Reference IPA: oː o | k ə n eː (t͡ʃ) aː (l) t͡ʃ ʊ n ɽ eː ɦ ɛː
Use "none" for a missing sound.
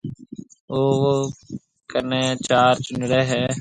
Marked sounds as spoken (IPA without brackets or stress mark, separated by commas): t͡ʃ, ɾ